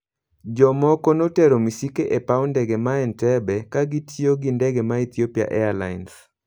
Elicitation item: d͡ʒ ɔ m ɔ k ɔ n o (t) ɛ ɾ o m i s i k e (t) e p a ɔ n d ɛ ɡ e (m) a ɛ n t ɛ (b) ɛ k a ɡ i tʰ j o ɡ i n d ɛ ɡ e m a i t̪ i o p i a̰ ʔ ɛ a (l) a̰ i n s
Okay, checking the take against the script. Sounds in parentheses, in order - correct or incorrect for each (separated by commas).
correct, incorrect, correct, correct, correct